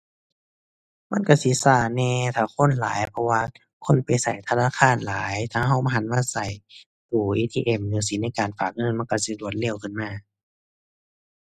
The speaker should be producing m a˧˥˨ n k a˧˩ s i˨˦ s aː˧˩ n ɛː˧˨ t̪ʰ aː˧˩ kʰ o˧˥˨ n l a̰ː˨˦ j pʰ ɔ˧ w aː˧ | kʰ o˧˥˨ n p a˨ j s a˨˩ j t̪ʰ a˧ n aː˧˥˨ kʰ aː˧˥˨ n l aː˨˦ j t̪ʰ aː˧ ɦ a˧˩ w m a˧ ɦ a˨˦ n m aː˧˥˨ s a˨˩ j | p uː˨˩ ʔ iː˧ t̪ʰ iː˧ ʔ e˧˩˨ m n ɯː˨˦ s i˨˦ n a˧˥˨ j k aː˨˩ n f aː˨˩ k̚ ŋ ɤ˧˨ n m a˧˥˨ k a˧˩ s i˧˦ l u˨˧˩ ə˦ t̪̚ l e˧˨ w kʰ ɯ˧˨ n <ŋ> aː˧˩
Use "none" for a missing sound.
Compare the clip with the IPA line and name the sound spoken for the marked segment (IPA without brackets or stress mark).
m